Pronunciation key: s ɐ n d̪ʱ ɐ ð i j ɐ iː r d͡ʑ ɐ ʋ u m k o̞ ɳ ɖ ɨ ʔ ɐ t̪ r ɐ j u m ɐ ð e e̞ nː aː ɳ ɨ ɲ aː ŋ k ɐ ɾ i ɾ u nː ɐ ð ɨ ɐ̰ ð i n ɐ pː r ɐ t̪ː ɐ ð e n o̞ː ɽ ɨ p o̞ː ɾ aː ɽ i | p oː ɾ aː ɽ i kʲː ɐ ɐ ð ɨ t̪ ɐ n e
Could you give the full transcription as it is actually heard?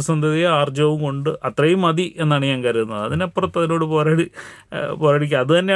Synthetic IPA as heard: s ɐ n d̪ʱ ɐ ð i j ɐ aː r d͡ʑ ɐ ʋ u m k o̞ ɳ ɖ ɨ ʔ ɐ t̪ r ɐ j u m ɐ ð i e̞ nː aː ɳ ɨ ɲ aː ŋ k ɐ ɾ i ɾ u nː ɐ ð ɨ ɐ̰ ð i n ɐ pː r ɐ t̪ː ɐ ð i n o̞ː ɽ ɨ p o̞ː ɾ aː ɽ i | p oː ɾ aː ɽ i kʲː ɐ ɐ ð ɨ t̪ ɐ nː e